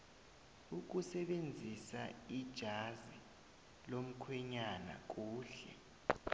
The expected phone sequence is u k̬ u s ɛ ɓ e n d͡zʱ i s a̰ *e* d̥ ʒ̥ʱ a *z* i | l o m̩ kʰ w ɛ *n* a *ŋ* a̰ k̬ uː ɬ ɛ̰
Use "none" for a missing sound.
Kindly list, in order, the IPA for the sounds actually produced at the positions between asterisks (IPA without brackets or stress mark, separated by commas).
i, z, ɲ, n